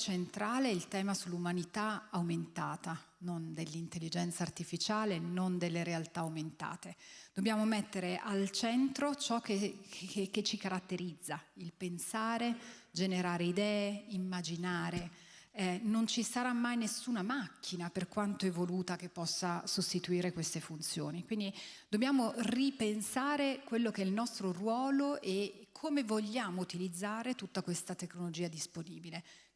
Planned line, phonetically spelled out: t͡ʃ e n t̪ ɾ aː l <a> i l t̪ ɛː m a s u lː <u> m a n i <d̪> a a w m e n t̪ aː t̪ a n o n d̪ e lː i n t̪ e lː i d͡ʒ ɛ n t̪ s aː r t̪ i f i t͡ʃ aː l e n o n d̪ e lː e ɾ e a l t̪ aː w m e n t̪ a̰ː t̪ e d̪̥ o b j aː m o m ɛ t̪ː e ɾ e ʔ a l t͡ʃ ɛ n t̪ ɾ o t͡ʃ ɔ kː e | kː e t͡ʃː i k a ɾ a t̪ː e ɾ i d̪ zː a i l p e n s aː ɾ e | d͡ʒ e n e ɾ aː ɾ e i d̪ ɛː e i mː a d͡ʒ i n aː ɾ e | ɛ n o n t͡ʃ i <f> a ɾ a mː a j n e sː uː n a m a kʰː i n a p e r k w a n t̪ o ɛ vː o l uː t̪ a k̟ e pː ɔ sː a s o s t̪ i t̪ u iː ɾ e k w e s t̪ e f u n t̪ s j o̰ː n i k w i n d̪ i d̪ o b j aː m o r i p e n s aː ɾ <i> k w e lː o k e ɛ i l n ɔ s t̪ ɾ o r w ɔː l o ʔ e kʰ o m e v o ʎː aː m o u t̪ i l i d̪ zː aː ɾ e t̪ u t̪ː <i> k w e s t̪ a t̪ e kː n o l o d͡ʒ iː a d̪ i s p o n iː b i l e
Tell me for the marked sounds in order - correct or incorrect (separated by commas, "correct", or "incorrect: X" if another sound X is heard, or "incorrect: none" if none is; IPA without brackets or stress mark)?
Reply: incorrect: e, correct, incorrect: t̪, incorrect: s, incorrect: e, incorrect: a